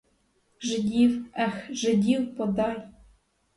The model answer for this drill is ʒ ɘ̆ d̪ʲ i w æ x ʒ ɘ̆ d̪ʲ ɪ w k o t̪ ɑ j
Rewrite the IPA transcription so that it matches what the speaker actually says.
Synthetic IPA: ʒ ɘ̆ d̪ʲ i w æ x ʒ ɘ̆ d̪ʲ i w p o d̪ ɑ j